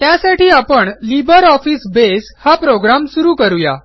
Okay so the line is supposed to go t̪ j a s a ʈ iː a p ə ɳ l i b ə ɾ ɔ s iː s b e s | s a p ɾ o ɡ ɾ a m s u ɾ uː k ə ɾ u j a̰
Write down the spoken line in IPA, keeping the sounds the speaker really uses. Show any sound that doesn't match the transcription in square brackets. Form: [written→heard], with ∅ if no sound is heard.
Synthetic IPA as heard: t̪ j a s a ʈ iː a p ə ɳ l i b ə ɾ ɔ [s→f] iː s b e s | [s→h] a p ɾ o ɡ ɾ a m s u ɾ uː k ə ɾ u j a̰